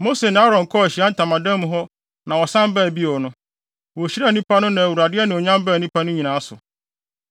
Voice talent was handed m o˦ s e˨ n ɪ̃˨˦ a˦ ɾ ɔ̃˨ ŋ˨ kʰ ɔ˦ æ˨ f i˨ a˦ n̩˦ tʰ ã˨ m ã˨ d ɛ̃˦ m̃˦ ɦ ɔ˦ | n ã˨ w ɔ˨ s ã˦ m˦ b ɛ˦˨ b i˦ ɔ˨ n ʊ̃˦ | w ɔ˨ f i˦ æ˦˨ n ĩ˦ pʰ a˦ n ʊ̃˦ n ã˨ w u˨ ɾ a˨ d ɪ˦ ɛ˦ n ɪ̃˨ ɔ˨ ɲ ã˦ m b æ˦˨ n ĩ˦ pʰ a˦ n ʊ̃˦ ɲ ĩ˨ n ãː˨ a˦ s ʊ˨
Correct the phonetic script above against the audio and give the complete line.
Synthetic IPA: m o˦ s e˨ n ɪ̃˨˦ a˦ ɾ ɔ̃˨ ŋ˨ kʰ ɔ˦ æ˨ ɕ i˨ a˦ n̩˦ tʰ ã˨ m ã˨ d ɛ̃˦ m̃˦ ɦ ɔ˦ | n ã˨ w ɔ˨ s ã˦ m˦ b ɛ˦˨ b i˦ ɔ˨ n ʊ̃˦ | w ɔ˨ ɕ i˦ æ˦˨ n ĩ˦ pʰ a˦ n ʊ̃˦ n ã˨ w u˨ ɾ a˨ d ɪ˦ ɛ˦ n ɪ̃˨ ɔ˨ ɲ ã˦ m b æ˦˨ n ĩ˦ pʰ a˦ n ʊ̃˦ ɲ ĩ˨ n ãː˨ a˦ s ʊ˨